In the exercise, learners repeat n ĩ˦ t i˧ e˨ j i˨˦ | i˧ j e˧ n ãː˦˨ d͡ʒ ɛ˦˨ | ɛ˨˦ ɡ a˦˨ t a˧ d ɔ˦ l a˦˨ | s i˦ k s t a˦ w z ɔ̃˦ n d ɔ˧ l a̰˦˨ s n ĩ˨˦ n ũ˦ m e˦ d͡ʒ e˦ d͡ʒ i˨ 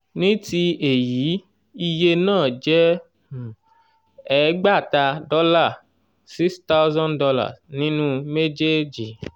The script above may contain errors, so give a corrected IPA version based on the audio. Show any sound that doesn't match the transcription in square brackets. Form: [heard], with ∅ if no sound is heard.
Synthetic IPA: n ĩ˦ t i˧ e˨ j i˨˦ | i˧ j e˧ n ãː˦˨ d͡ʒ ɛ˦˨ | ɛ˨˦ [ɡ͡b] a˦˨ t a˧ d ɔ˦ l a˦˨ | s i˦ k s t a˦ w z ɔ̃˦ n d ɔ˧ l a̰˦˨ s n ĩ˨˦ n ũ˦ m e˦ d͡ʒ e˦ d͡ʒ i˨